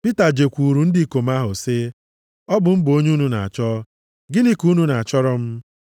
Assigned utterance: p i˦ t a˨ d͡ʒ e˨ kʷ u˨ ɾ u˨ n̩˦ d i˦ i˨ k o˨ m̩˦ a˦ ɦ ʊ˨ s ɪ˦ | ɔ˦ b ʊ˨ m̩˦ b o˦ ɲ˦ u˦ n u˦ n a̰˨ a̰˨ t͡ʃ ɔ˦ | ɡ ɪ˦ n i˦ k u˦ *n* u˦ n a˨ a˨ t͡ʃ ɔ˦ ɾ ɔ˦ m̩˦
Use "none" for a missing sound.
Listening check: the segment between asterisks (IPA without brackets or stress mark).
n